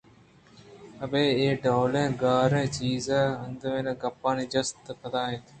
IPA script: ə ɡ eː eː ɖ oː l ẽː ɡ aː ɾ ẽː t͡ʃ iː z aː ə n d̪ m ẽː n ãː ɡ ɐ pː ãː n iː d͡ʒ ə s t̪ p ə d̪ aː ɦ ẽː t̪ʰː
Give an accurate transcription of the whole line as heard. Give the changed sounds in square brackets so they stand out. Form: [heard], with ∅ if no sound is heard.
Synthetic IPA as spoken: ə [b] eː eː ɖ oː l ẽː ɡ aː ɾ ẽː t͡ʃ iː z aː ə n d̪ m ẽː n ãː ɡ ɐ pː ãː n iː d͡ʒ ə s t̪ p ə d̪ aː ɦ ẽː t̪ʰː